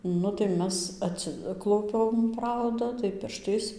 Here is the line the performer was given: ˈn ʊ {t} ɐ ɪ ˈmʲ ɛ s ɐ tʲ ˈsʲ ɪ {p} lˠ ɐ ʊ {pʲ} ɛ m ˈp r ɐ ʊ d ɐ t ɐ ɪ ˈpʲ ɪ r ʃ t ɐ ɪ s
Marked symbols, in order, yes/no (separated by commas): yes, no, yes